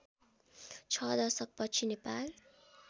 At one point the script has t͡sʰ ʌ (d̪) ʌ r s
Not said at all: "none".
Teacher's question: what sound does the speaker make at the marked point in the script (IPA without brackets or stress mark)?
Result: d̪